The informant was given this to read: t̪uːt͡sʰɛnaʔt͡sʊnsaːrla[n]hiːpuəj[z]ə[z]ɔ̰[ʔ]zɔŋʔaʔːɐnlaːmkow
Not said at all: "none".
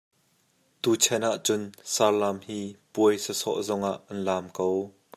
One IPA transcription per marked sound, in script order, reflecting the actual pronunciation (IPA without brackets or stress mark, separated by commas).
m, s, s, ʔ